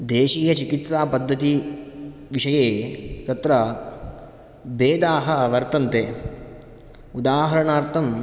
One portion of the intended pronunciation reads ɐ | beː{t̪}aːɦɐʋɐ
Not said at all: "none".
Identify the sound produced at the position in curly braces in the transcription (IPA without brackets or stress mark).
d̪